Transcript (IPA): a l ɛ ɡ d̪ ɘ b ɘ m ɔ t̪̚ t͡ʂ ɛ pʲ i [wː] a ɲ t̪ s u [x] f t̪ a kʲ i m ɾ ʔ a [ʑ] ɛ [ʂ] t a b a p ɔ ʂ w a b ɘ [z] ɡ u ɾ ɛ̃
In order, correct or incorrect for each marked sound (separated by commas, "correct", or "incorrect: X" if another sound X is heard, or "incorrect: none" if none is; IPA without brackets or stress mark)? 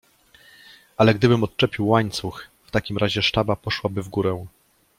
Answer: correct, correct, correct, correct, incorrect: v